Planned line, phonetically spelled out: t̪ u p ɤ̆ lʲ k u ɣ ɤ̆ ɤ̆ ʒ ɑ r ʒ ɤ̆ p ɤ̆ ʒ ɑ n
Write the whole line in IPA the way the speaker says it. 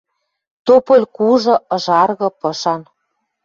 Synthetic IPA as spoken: t̪ o p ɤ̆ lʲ k u ʒ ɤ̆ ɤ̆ ʒ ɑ r ɣ ɤ̆ p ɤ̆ ʃ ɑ n